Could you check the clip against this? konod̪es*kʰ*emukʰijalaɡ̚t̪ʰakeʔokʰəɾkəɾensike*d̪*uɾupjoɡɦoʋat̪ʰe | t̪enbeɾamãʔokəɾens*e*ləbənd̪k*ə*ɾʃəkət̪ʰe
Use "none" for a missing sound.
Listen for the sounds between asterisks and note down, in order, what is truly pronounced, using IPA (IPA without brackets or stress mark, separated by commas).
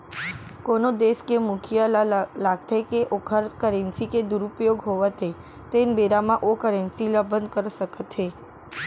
k, d̪, i, ə